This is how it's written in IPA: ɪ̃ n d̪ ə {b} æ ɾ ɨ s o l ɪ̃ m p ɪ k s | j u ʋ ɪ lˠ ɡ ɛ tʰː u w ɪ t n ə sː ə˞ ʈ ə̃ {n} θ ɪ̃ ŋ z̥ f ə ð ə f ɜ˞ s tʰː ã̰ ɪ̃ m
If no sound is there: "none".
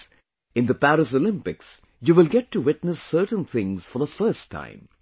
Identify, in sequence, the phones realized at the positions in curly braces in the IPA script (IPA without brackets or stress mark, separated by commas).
p, n